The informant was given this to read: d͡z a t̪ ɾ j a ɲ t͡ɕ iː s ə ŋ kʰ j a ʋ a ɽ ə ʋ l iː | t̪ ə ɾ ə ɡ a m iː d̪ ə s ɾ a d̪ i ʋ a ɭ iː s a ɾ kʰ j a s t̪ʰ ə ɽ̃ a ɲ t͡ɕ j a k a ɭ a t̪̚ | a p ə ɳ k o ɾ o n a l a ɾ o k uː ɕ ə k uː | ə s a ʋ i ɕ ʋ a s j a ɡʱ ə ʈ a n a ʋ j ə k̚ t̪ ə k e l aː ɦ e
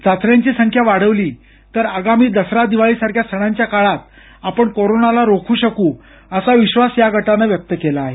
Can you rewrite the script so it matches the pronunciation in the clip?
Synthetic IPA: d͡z a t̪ ɾ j a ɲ t͡ɕ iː s ə ŋ kʰ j a ʋ a ɽ ə ʋ l iː | t̪ ə ɾ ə ɡ a m iː d̪ ə s ɾ a d̪ i ʋ a ɭ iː s a ɾ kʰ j a s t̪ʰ ə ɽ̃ a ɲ t͡ɕ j a k a ɭ a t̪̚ | a p ə ɳ k o ɾ o n a l a ɾ o kʰ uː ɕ ə k uː | ə s a ʋ i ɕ ʋ a s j a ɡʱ ə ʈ a n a ʋ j ə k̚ t̪ ə k e l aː ɦ e